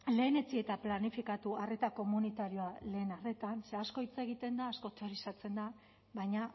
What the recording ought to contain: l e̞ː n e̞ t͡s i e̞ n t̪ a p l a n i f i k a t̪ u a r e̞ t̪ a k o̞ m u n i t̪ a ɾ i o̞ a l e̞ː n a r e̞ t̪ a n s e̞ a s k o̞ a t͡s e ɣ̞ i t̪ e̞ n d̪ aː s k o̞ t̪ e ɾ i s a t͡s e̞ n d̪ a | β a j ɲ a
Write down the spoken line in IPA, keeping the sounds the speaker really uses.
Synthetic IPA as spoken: l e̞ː n e̞ t͡s i e̞ t̪ a p l a n i f i k a t̪ u a r e̞ t̪ a k o̞ m u n i t̪ a ɾ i o̞ a l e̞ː n a r e̞ t̪ a n s e̞ a s k o̞ i t͡s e ɣ̞ i t̪ e̞ n d̪ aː s k o̞ t̪ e ɾ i s a t͡s e̞ n d̪ a | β a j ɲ a